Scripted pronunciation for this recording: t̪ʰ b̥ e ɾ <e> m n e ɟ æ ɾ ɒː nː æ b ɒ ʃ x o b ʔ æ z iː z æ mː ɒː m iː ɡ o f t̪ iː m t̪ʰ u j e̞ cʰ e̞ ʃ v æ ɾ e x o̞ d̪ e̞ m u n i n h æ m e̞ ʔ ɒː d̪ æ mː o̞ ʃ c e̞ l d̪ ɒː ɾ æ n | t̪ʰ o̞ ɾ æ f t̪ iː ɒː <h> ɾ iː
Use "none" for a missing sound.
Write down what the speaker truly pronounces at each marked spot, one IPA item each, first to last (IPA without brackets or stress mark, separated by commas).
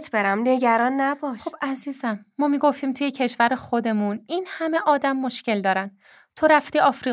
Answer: æ, f